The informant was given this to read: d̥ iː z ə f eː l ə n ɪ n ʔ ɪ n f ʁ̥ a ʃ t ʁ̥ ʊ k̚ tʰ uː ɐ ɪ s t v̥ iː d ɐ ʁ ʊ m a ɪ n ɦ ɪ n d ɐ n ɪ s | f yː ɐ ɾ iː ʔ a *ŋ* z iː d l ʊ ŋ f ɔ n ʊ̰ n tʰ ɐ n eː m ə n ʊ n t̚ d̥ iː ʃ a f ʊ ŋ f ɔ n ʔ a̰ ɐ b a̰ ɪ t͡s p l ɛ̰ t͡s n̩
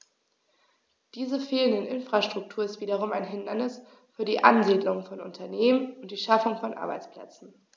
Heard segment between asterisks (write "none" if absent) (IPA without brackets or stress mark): n